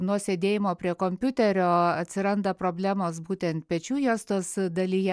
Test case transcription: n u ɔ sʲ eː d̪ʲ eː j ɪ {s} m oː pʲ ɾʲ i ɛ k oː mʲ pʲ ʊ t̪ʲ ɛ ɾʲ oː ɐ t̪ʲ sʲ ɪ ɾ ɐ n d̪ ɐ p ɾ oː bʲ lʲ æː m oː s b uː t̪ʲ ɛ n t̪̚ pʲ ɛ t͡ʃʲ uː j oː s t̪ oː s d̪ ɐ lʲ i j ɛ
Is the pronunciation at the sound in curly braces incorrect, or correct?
incorrect